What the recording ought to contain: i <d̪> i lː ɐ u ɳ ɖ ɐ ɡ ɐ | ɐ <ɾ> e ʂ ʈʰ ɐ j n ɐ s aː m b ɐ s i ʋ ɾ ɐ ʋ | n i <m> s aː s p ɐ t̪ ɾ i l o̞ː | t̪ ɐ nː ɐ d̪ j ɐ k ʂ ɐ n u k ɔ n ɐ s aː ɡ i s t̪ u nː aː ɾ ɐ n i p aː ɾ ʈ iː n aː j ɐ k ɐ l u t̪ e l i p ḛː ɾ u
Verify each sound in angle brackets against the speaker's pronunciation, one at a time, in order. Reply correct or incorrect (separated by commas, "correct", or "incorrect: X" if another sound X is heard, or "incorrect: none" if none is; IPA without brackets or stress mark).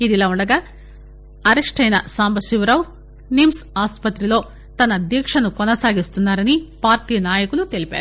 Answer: correct, correct, correct